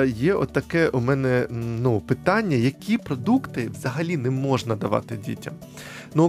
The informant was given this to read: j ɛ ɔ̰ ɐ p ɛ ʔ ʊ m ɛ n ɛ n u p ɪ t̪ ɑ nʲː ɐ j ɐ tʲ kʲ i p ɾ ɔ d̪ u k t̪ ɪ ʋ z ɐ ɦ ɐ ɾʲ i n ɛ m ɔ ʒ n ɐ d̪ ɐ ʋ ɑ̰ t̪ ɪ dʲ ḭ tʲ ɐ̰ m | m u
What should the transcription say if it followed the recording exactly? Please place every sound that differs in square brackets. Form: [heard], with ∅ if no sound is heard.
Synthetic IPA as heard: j ɛ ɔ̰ ɐ [k] ɛ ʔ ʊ m ɛ n ɛ n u p ɪ t̪ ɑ nʲː ɐ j ɐ [∅] kʲ i p ɾ ɔ d̪ u k t̪ ɪ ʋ z ɐ ɦ ɐ [lʲ] i n ɛ m ɔ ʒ n ɐ d̪ ɐ ʋ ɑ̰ t̪ ɪ dʲ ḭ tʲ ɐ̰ m | [n] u